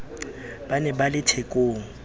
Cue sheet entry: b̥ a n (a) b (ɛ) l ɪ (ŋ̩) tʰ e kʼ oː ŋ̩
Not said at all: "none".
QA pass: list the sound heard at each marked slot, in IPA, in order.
ɛ, a, none

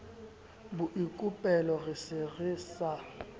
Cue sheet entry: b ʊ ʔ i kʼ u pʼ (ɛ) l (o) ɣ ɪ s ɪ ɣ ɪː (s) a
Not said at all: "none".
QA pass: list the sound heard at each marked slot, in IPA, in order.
ɛ, ɔ, s

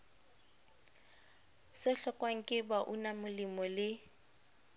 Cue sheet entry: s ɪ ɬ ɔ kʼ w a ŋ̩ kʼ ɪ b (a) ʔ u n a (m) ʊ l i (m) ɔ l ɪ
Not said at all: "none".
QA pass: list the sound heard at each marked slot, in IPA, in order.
a, m, m

